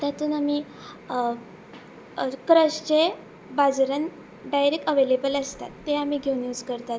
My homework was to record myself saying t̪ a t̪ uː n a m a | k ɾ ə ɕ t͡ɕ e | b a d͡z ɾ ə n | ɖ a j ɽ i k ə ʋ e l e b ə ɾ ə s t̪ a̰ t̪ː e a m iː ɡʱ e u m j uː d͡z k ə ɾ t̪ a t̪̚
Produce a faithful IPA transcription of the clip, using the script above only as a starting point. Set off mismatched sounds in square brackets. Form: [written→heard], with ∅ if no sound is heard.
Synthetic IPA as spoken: t̪ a t̪ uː n a m [a→i] | k ɾ ə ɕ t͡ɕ e | b a d͡z ɾ ə n | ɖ a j [ɽ→ɾ] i k ə ʋ e l e b ə [ɾ→l] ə s t̪ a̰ t̪ː e a m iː ɡʱ e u [m→n] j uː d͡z k ə ɾ t̪ a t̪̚